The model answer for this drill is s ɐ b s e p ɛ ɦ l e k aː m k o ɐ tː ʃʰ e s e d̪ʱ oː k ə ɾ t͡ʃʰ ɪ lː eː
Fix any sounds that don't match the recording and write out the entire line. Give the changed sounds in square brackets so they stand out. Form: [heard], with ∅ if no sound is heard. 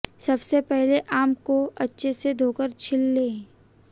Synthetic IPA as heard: s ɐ b s e p ɛ ɦ l e [ʔ] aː m k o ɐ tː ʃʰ e s e d̪ʱ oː k ə ɾ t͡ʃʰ ɪ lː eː